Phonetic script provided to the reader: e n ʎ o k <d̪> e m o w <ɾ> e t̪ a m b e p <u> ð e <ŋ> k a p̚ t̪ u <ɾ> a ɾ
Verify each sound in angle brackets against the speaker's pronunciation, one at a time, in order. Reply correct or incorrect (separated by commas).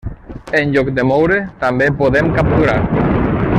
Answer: correct, correct, incorrect, incorrect, correct